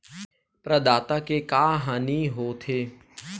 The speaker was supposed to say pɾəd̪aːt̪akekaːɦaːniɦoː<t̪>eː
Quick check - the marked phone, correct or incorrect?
incorrect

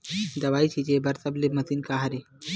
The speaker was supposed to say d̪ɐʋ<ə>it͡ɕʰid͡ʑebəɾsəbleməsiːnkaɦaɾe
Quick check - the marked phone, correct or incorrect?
incorrect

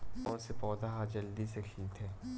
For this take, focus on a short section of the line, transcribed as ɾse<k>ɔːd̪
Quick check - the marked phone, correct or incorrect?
incorrect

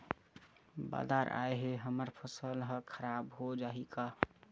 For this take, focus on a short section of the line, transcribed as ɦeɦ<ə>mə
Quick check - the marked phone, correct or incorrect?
correct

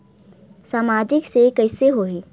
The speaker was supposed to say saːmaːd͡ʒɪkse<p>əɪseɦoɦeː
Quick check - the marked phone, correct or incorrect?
incorrect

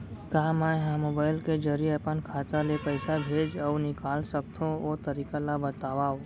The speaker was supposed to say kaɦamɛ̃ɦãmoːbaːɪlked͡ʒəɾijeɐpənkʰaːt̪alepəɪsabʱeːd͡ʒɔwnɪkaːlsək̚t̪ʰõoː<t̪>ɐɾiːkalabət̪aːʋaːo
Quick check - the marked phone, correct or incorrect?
correct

